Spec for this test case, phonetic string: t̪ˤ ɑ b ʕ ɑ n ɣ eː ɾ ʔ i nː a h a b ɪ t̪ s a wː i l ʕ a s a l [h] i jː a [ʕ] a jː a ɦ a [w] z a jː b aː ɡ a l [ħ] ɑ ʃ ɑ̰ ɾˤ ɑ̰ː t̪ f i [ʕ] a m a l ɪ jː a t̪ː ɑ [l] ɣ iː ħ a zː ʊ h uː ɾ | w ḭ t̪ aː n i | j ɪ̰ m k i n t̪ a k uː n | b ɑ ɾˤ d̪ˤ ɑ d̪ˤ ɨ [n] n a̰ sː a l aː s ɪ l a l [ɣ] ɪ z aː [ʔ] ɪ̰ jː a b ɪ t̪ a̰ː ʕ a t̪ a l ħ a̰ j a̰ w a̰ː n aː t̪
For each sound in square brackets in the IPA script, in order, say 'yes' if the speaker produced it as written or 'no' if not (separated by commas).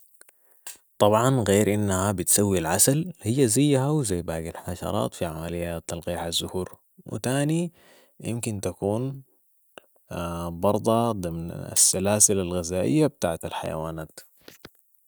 yes, no, yes, yes, yes, yes, no, yes, yes